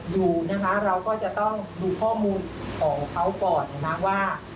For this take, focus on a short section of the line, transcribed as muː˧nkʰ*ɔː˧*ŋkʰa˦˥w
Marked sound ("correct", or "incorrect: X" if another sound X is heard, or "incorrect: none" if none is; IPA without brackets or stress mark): incorrect: ɔː˩˦